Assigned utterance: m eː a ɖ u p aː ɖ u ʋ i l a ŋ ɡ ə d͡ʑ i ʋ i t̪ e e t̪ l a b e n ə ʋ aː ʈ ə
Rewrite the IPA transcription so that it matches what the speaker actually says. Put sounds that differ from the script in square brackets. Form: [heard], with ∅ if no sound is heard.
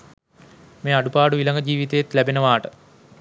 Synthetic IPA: m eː a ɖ u p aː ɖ u ʋ i l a ŋ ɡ ə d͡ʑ [iː] ʋ i t̪ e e t̪ l [æ] b e n ə ʋ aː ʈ ə